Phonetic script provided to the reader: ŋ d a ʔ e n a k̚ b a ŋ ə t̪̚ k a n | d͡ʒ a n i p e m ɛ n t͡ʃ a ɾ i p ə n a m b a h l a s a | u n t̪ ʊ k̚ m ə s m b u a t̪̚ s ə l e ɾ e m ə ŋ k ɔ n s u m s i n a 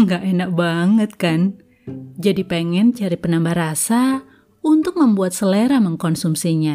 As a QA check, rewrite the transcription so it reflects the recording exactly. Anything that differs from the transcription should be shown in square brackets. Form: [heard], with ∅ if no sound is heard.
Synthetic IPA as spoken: ŋ [ɡ] a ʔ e n a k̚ b a ŋ ə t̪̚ k a n | d͡ʒ a [d] i p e [ŋ] ɛ n t͡ʃ a ɾ i p ə n a m b a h [ɾ] a s a | u n t̪ ʊ k̚ m ə [∅] m b u a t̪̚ s ə l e ɾ [a] m ə ŋ k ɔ n s u m s i [ɲ] a